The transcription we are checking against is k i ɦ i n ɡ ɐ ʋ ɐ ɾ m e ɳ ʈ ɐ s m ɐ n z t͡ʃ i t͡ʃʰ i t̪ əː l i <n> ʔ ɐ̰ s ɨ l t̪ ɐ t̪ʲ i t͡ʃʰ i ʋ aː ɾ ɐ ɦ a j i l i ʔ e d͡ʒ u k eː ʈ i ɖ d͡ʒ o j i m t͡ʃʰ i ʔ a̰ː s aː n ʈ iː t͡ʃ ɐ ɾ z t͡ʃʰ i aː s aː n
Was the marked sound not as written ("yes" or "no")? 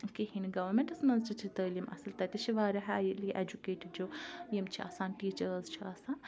yes